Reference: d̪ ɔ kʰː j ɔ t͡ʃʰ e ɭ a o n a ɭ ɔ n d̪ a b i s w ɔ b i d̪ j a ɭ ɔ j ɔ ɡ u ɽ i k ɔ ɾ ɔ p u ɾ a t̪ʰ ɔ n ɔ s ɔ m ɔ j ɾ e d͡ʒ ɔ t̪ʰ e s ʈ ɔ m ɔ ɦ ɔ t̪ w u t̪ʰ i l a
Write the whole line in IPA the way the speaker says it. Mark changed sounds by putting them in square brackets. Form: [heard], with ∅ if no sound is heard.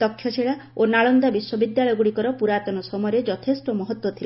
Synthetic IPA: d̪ ɔ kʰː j ɔ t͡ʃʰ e ɭ a o n a ɭ ɔ n d̪ a b i s w ɔ b i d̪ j a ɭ ɔ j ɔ ɡ u ɽ i k ɔ ɾ ɔ p u ɾ a [t̪] ɔ n ɔ s ɔ m ɔ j ɾ e d͡ʒ ɔ t̪ʰ e s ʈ ɔ m ɔ ɦ ɔ t̪ w [ɔ] t̪ʰ i l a